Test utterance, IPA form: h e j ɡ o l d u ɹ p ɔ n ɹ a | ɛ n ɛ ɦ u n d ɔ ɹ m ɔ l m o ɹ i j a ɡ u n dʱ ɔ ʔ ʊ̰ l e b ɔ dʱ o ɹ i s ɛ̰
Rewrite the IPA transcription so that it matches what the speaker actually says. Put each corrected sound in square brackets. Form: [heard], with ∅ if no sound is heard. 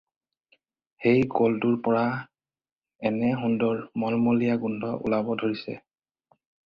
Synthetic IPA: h e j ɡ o l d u ɹ p ɔ [∅] ɹ a | ɛ n ɛ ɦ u n d ɔ ɹ m ɔ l m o [l] i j a ɡ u n dʱ ɔ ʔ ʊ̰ l [a] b ɔ dʱ o ɹ i s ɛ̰